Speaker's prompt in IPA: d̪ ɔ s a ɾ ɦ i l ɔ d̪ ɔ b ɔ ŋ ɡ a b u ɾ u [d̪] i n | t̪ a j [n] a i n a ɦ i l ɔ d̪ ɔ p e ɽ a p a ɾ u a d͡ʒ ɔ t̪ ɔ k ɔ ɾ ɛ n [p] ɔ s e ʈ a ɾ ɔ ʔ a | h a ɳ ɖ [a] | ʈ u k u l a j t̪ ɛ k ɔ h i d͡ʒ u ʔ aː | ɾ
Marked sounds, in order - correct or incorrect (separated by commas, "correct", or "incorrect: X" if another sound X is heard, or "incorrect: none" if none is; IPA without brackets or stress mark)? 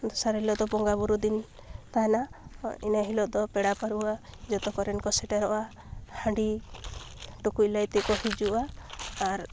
correct, correct, incorrect: k, incorrect: i